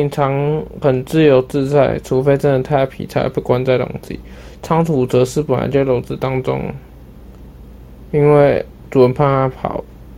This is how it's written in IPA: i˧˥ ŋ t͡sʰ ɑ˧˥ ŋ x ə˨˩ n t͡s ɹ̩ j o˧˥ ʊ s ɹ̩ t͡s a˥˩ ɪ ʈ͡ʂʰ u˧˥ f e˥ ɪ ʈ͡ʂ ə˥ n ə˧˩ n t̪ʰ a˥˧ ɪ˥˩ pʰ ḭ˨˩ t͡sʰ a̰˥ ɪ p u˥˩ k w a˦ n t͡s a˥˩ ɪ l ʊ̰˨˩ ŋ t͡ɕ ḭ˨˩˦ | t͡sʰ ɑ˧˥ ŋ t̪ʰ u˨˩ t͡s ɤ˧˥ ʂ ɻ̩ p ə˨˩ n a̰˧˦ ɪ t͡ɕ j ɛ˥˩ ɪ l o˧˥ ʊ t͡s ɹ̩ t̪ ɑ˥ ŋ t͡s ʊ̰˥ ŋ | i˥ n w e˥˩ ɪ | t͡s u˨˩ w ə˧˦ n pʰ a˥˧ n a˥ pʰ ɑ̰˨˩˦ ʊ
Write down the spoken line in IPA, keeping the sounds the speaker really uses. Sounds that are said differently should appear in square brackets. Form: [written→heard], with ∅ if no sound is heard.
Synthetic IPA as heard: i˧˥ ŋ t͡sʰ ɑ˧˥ ŋ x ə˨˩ n t͡s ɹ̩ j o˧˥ ʊ [s→t͡s] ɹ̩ t͡s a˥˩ ɪ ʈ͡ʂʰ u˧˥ f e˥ ɪ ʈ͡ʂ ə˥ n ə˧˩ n t̪ʰ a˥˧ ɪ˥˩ pʰ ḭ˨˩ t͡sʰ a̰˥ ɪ p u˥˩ k w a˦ n t͡s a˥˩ ɪ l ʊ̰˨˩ ŋ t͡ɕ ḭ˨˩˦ | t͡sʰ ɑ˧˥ ŋ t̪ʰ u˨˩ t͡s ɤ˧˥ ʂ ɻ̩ p ə˨˩ n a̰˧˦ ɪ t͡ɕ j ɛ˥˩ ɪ l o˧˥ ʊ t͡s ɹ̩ t̪ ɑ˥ ŋ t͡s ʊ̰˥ ŋ | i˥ n w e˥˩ ɪ | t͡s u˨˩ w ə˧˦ n pʰ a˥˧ n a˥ pʰ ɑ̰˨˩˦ ʊ